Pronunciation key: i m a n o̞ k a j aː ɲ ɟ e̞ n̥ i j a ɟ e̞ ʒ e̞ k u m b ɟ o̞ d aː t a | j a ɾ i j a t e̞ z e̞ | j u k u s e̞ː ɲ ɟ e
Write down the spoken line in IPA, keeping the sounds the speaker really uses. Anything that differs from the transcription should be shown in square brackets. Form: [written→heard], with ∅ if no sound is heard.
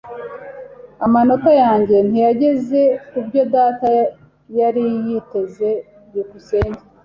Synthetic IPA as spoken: [i→a] m a n o̞ k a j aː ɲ ɟ e̞ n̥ i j a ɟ e̞ [ʒ→z] e̞ k u [m→∅] b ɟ o̞ d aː t a | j a ɾ i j [a→i] t e̞ z e̞ | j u k u s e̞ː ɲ ɟ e